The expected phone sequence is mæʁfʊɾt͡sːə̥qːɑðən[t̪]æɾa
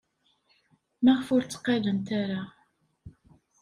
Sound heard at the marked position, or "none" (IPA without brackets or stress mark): t̪